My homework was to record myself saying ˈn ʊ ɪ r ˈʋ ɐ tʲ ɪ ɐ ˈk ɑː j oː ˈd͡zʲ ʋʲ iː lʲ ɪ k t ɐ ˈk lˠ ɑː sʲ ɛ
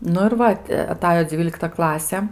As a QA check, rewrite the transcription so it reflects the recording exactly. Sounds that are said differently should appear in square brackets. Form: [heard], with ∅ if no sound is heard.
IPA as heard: ˈn ʊ ɪ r ˈʋ ɐ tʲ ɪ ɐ [ˈt] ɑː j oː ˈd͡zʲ ʋʲ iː lʲ ɪ k t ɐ ˈk lˠ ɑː sʲ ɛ